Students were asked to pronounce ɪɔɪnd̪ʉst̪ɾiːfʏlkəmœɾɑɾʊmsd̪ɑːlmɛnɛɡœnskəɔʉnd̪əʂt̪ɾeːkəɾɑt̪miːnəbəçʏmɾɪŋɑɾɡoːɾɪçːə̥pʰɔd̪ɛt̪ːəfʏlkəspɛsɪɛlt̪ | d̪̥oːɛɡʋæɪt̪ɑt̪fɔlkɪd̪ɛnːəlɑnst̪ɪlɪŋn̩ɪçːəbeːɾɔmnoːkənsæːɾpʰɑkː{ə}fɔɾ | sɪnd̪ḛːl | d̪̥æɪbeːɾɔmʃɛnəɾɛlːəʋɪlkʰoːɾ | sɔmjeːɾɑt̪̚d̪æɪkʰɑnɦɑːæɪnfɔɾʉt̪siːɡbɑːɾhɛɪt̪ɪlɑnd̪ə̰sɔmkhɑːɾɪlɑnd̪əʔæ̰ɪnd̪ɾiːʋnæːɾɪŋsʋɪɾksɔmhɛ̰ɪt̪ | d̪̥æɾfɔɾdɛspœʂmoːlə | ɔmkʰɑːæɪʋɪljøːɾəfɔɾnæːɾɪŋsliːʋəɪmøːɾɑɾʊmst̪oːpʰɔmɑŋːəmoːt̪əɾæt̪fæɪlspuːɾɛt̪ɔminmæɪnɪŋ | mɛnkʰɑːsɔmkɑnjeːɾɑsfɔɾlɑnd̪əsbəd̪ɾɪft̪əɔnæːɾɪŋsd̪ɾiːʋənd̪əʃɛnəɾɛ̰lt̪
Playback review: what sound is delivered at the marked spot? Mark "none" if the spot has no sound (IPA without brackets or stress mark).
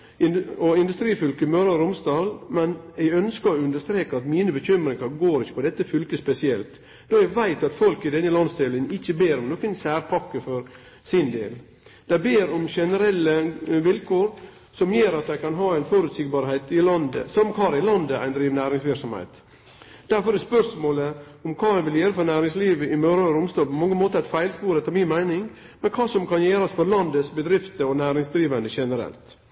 ə